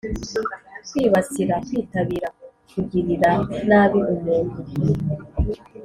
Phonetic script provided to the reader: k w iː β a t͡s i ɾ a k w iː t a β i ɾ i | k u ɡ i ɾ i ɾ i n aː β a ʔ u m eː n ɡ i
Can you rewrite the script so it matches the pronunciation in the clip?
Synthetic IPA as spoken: k w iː β a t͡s i ɾ a k w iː t a β i ɾ a | k u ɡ i ɾ i ɾ a n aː β i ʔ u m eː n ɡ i